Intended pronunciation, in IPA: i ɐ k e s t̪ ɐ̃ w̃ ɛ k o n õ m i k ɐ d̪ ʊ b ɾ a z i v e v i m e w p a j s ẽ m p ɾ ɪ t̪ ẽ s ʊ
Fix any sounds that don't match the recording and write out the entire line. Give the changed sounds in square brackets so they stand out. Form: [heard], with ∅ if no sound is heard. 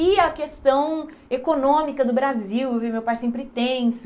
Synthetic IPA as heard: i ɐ k e s t̪ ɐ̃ w̃ [e] k o n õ m i k ɐ d̪ ʊ b ɾ a z i [w] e v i m e w p a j s ẽ m p ɾ ɪ t̪ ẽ s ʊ

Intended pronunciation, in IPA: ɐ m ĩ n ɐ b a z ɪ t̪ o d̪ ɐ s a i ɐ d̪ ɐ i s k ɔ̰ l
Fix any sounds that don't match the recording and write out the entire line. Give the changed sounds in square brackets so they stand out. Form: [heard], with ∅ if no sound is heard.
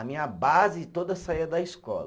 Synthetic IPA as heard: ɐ m ĩ [ɲ] ɐ b a z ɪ t̪ o d̪ ɐ s a i ɐ d̪ ɐ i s k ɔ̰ l

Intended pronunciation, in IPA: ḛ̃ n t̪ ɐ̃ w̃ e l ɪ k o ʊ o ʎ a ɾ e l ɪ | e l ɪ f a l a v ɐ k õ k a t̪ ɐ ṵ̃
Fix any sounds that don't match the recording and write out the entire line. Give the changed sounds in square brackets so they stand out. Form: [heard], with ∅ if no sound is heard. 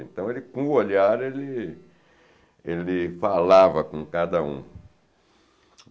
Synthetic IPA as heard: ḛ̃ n t̪ ɐ̃ w̃ e l ɪ k [õ] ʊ o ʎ a ɾ e l ɪ | e l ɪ f a l a v ɐ k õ k a [d̪] ɐ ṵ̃

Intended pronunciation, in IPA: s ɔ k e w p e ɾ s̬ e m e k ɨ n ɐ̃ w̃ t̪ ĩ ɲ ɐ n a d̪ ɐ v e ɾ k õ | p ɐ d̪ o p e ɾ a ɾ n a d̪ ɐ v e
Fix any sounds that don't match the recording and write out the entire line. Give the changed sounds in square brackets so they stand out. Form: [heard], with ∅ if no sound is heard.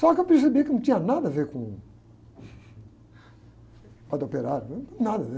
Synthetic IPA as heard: s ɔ k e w p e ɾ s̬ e [b] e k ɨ n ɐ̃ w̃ t̪ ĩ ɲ ɐ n a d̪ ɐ v e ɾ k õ | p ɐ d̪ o p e ɾ a ɾ n a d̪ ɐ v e

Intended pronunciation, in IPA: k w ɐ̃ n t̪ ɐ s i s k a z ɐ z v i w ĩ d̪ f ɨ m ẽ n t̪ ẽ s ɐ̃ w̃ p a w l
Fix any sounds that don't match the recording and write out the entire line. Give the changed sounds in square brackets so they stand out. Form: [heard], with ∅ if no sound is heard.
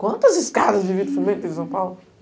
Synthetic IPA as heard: k w ɐ̃ n t̪ ɐ [z] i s k a [ð] ɐ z v i [v] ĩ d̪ f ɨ m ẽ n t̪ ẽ s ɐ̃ w̃ p a w l

